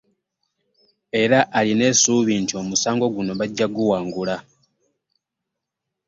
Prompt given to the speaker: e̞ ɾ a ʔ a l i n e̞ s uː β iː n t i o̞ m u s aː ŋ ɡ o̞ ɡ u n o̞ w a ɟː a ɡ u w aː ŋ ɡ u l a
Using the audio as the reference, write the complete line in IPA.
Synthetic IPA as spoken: e̞ ɾ a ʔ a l i n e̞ s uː β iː n t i o̞ m u s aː ŋ ɡ o̞ ɡ u n o̞ β a ɟː a ɡ u w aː ŋ ɡ u l a